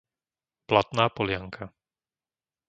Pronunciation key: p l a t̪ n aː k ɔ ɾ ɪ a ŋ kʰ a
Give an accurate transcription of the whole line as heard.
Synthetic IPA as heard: p l a t̪ n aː p ɔ l ɪ a ŋ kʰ a